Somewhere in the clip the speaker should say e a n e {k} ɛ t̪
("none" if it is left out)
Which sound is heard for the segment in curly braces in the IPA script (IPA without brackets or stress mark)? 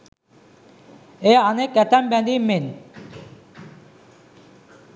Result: k